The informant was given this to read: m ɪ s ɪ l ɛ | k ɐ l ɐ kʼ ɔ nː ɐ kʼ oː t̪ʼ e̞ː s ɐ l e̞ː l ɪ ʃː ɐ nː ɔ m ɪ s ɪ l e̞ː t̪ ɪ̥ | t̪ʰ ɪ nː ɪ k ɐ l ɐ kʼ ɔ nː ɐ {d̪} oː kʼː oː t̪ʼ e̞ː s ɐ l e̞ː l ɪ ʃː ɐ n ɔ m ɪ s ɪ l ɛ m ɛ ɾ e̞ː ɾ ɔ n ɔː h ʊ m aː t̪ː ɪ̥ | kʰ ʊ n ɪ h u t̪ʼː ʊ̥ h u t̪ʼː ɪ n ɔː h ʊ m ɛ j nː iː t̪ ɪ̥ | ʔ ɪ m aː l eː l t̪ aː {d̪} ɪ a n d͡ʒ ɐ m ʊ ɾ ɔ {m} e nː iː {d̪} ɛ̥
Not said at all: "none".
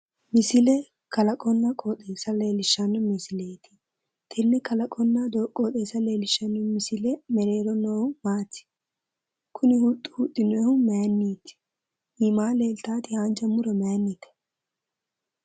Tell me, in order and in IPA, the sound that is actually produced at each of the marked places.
d̪, t̪, m, t̪

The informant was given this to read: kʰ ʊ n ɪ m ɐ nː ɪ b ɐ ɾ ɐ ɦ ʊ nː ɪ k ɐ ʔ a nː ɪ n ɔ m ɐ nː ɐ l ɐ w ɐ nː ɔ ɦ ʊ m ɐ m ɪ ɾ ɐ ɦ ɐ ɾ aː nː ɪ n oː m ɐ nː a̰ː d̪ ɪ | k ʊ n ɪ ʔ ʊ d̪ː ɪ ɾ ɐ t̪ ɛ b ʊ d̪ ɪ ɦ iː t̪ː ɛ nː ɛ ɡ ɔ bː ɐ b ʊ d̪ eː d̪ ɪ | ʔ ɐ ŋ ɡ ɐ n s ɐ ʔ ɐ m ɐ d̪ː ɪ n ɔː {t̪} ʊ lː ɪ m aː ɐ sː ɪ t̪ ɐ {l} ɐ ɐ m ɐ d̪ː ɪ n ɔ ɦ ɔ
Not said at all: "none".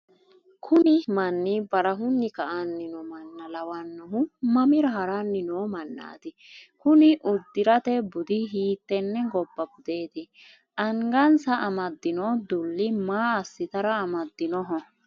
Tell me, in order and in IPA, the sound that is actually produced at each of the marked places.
d̪, ɾ

